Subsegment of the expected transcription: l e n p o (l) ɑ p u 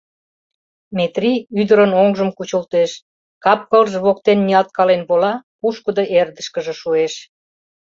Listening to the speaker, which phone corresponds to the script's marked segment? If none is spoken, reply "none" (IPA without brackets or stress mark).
l